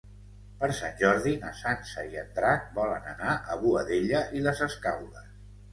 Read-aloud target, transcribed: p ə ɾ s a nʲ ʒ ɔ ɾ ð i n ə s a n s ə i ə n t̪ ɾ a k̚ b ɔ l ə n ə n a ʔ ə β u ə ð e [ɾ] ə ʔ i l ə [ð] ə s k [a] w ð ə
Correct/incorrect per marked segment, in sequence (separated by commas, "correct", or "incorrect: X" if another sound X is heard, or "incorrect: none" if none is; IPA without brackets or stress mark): incorrect: ʎ, incorrect: z, correct